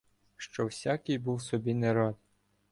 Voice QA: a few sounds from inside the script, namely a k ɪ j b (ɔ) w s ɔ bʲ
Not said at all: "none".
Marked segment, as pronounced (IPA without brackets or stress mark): u